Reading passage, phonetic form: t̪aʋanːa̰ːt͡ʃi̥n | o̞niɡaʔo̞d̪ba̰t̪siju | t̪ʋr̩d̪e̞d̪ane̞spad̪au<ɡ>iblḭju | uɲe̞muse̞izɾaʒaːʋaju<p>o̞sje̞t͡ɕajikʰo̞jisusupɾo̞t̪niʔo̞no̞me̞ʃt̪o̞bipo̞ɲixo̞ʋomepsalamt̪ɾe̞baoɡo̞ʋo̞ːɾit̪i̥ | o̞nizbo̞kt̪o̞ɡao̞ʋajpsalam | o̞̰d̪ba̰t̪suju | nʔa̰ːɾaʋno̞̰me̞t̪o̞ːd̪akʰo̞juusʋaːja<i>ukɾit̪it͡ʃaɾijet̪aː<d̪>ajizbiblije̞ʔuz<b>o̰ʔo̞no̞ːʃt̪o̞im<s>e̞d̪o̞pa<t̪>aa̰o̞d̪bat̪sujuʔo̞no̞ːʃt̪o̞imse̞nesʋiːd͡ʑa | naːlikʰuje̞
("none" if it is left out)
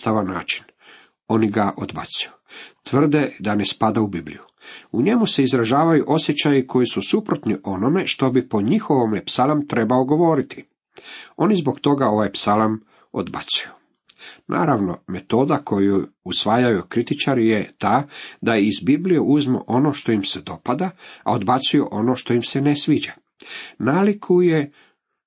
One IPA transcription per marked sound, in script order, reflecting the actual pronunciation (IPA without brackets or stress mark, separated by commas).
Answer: b, ʔ, j, d̪, m, s, d̪